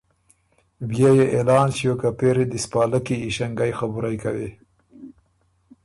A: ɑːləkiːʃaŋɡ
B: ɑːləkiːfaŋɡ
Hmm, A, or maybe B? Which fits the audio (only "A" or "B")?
A